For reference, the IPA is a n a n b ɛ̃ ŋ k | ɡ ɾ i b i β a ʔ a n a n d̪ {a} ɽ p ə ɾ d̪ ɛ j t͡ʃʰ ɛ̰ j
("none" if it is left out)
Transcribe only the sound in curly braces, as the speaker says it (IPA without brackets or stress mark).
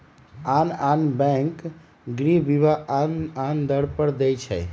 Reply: ə